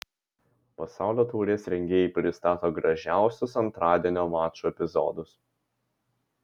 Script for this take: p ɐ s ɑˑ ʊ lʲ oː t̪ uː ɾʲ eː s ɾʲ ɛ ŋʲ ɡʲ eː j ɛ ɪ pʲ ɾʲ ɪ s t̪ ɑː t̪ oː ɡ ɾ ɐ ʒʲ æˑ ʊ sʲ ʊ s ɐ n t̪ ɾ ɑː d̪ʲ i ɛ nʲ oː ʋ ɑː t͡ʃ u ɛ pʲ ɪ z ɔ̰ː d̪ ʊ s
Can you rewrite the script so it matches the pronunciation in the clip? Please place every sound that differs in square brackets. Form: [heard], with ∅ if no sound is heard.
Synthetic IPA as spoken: p ɐ s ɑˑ ʊ lʲ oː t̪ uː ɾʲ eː s ɾʲ ɛ ŋʲ ɡʲ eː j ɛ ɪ pʲ ɾʲ ɪ s t̪ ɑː t̪ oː ɡ ɾ ɐ ʒʲ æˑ ʊ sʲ ʊ s ɐ n t̪ ɾ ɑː d̪ʲ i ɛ nʲ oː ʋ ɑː t͡ʃ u ɛ pʲ ɪ z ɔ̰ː d̪ ʊ s